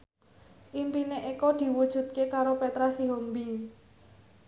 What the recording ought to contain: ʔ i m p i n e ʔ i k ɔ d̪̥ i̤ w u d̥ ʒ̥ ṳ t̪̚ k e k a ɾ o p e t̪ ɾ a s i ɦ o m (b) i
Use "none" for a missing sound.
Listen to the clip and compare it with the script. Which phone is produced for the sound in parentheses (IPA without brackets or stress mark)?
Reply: b